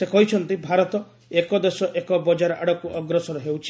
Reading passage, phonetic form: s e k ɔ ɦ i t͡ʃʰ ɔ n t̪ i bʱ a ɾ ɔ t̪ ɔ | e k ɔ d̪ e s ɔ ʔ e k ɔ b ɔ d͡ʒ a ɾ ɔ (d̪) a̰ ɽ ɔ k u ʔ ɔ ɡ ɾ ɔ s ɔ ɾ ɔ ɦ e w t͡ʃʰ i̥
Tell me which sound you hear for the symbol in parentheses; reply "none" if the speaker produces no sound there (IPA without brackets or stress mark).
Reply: none